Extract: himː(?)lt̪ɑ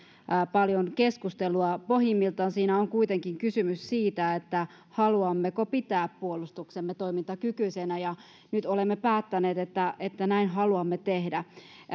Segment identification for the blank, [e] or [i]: i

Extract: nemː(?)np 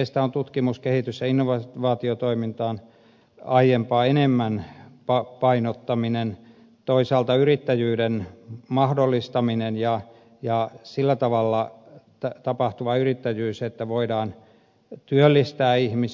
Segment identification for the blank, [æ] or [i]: æ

